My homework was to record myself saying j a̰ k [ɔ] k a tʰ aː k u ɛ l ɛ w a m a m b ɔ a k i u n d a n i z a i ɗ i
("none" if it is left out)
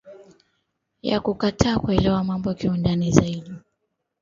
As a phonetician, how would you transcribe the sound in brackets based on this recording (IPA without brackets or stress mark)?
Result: u